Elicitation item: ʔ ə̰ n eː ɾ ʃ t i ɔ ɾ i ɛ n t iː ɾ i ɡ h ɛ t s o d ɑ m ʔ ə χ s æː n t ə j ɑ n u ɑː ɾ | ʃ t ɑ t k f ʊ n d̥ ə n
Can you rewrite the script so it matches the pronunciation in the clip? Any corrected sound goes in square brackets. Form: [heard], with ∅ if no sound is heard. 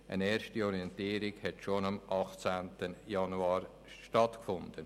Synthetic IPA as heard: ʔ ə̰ n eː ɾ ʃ t i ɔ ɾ i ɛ n t iː ɾ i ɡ h ɛ t [ʃ] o [n] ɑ m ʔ [ɑ] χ [t͡s] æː n t ə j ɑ n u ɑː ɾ | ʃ t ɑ t k f ʊ n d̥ ə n

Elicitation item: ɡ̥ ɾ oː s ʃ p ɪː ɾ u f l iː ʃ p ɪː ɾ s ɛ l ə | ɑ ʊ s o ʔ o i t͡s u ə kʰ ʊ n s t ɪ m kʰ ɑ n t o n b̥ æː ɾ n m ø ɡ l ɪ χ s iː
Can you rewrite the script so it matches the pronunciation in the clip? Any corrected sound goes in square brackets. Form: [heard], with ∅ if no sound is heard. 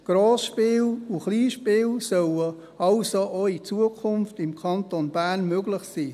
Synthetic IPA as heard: ɡ̥ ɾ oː s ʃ p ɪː [l] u [χ] l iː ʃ p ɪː [l] s [œ] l ə | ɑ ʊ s o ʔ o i t͡s u ə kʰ ʊ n [f] t ɪ m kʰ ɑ n t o n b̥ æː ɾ n m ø ɡ l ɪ χ s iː

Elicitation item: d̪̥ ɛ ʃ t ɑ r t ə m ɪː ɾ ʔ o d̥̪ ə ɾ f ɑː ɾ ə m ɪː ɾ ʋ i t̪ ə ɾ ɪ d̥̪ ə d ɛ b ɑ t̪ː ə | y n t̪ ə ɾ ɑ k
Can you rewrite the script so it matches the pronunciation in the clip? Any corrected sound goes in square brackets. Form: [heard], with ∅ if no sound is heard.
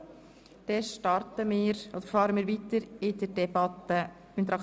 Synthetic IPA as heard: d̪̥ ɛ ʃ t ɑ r t ə m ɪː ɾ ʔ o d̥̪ ə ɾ f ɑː ɾ ə m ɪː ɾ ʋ i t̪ ə ɾ ɪ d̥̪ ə d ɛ b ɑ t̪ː ə | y n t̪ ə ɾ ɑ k

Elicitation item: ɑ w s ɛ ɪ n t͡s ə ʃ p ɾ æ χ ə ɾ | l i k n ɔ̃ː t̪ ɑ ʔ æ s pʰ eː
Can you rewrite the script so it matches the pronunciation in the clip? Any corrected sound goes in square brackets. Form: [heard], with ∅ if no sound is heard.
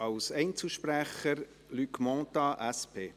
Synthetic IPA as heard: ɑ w s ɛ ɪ n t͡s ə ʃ p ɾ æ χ ə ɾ | l [y] k [m] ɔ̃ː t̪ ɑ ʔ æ s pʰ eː

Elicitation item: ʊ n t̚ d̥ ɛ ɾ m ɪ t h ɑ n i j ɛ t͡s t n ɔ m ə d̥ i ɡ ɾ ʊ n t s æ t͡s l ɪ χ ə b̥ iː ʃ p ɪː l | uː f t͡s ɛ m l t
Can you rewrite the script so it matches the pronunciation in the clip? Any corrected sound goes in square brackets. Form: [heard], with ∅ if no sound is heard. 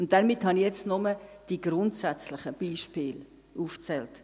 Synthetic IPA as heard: ʊ n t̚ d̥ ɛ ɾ m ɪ t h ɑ n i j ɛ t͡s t n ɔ m ə d̥ i ɡ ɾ ʊ n t s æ t͡s l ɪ χ ə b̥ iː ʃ p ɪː l | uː f t͡s ɛ [∅] l t

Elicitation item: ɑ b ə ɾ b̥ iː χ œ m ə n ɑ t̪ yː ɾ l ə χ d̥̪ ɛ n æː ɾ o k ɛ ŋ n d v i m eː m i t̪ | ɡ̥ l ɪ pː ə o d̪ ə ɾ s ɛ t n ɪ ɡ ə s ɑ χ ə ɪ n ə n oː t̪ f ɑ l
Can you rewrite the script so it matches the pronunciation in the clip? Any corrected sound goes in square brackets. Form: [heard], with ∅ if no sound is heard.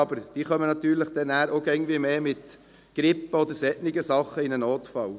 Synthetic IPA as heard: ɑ b ə ɾ [d̥] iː χ œ m ə n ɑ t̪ yː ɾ l ə χ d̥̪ ɛ n æː ɾ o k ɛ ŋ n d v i m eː m [ɪ] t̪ | ɡ̥ [ɾ] ɪ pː ə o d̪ ə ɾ s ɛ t n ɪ ɡ ə s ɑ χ ə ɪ n ə n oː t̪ f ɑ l

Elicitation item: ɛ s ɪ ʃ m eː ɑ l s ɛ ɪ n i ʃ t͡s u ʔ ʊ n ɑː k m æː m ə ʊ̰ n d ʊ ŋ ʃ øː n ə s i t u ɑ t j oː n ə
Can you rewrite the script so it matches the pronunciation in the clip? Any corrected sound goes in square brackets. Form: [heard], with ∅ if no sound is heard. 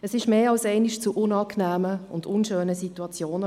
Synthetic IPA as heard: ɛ s ɪ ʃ m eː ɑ l s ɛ ɪ n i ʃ t͡s u ʔ ʊ n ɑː k [n] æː m ə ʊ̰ n d ʊ [n] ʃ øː n ə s i t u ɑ [t͡s] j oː n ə

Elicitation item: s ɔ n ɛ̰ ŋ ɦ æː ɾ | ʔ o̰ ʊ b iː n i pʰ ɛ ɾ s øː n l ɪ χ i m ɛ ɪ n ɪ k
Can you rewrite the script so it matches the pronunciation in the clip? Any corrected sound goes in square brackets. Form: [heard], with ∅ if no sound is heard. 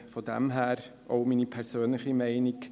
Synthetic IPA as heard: [f] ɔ [d] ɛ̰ [m] ɦ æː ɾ | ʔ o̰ ʊ [m] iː n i pʰ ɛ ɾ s øː n l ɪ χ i m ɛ ɪ n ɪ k

